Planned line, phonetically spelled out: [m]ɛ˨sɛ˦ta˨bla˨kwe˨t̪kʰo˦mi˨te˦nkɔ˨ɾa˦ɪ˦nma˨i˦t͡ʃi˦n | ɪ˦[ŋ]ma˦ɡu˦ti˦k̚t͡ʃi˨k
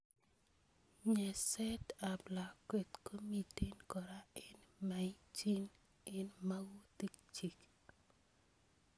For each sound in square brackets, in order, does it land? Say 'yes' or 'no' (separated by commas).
no, no